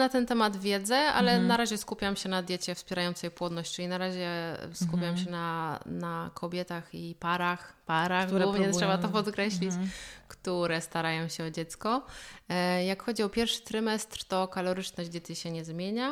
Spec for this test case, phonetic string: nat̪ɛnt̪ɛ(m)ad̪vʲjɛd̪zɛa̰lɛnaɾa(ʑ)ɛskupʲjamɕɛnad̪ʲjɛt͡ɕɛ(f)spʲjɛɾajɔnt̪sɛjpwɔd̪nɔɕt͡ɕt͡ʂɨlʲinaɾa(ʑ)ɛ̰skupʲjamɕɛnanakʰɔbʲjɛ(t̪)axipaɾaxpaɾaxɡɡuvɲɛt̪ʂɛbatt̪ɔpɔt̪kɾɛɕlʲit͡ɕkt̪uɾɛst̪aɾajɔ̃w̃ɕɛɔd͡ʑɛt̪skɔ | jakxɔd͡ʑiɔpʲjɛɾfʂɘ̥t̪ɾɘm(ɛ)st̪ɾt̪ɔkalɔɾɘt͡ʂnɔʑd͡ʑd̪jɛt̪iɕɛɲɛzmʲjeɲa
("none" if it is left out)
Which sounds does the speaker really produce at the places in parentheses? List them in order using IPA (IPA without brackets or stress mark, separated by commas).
m, ʑ, f, ʑ, t̪, ɛ